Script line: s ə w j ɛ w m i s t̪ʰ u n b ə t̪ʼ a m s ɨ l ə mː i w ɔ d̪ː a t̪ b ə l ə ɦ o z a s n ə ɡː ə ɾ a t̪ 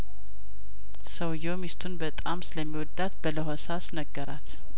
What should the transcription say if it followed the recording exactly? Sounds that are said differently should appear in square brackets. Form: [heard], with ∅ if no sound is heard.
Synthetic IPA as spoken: s ə w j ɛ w m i s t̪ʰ u n b ə t̪ʼ a m s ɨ l ə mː i w ɔ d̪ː a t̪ b ə l ə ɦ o [s] a s n ə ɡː ə ɾ a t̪